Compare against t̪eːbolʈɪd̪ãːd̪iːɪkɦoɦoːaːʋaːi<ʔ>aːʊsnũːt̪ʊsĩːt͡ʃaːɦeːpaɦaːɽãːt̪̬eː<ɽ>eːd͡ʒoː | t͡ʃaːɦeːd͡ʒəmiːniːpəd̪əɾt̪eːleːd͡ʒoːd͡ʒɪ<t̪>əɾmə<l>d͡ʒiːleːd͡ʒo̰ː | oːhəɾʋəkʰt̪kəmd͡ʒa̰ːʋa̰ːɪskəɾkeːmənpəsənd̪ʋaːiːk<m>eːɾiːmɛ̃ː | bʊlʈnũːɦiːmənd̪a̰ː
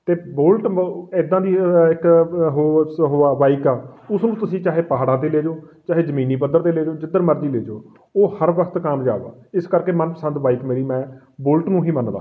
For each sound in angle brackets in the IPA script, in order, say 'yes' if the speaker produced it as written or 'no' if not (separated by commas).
no, no, no, no, yes